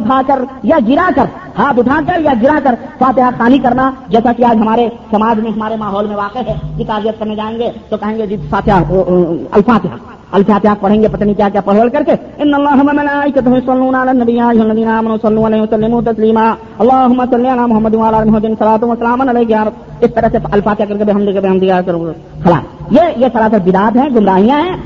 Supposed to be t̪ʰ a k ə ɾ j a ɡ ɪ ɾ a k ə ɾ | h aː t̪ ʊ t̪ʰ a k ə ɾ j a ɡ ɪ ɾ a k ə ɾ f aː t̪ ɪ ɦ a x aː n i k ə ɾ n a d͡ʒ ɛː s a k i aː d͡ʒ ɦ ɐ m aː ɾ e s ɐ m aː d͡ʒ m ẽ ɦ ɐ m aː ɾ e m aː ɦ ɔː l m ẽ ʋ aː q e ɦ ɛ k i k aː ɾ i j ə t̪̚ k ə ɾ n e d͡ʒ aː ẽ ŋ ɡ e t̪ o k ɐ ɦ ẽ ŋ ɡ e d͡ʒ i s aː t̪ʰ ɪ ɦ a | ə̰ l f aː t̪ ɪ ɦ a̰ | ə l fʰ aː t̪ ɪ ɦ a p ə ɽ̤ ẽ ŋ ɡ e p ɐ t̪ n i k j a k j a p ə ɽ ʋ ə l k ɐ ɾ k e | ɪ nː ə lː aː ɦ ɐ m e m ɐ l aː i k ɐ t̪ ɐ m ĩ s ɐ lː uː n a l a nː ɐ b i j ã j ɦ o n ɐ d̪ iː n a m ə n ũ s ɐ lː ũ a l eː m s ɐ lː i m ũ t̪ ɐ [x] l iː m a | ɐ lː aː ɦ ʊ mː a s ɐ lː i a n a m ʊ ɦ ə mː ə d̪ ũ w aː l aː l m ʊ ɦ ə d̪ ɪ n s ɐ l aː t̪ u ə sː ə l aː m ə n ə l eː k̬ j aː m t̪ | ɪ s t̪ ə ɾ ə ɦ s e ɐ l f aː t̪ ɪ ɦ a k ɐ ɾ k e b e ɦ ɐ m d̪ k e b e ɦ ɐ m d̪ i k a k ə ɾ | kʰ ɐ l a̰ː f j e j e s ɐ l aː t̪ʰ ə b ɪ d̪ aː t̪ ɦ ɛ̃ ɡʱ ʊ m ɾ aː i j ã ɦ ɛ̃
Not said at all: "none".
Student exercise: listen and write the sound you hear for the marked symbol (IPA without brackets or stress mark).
s